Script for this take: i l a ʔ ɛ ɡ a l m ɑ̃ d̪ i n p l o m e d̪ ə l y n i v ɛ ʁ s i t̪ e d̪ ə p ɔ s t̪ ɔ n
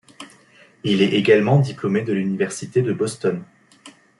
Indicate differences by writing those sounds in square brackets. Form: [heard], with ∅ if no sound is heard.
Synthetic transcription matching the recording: i l [ɛ] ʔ [e] ɡ a l m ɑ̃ d̪ i [∅] p l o m e d̪ ə l y n i v ɛ ʁ s i t̪ e d̪ ə [b] ɔ s t̪ ɔ n

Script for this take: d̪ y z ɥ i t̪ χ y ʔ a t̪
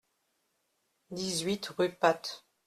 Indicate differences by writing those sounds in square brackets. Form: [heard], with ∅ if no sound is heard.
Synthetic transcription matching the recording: d̪ [i] z ɥ i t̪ [ʁ] y [p] a t̪

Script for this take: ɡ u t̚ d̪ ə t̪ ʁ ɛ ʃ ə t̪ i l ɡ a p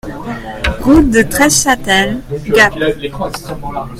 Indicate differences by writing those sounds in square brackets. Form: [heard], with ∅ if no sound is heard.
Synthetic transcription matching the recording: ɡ u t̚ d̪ ə t̪ [χ] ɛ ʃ [a] t̪ [ɛ] l ɡ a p

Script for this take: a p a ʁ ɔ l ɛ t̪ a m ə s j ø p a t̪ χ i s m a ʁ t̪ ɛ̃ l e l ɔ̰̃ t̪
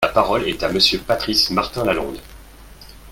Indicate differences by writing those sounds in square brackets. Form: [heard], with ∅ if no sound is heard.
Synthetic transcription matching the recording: a p a ʁ ɔ l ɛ t̪ a m ə s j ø p a t̪ χ i s m a ʁ t̪ ɛ̃ l [a] l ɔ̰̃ [d̪]

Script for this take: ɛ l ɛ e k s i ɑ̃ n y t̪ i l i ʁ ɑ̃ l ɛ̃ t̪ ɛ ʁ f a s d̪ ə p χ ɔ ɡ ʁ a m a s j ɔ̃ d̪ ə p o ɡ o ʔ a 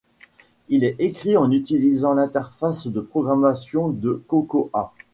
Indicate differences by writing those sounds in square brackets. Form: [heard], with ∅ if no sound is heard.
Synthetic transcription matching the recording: [i] l ɛ e k [χ] i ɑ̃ n y t̪ i l i [z] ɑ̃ l ɛ̃ t̪ ɛ ʁ f a s d̪ ə p χ ɔ ɡ ʁ a m a s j ɔ̃ d̪ ə [k] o [k] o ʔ a

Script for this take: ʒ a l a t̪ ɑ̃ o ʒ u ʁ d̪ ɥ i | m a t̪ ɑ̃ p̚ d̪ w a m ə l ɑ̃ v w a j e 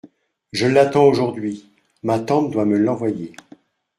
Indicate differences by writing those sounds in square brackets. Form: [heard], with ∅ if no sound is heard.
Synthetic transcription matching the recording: ʒ [ə] l a t̪ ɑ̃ o ʒ u ʁ d̪ ɥ i | m a t̪ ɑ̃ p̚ d̪ w a m ə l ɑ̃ v w a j e

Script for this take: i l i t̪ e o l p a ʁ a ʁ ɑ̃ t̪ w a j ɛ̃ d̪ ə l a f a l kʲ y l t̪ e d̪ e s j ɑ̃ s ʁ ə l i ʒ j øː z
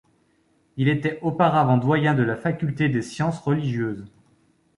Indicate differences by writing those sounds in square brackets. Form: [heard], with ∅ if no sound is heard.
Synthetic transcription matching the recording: i l [e] t̪ [ɛ] o [∅] p a ʁ a [v] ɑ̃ [d̪] w a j ɛ̃ d̪ ə l a f a [∅] kʲ y l t̪ e d̪ e s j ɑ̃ s ʁ ə l i ʒ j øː z

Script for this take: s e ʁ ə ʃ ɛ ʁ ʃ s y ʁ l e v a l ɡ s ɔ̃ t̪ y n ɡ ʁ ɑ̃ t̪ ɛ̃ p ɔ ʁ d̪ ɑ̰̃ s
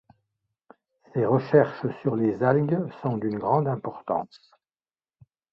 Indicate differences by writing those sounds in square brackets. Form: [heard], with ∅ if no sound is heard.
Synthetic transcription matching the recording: s e ʁ ə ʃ ɛ ʁ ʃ s y ʁ l e [z] a l ɡ s ɔ̃ [d̪] y n ɡ ʁ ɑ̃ [d̪] ɛ̃ p ɔ ʁ [t̪] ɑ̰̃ s

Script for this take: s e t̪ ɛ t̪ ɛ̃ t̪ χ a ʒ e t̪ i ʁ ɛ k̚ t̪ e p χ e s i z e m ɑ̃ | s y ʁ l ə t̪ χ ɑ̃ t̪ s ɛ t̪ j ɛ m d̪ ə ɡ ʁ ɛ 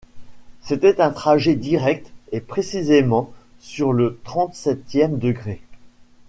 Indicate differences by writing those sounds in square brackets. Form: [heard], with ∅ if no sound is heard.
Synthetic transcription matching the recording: s e t̪ ɛ t̪ ɛ̃ t̪ χ a ʒ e [d̪] i ʁ ɛ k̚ t̪ e p χ e s i z e m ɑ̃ | s y ʁ l ə t̪ χ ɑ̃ t̪ s ɛ t̪ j ɛ m d̪ ə ɡ ʁ [e]

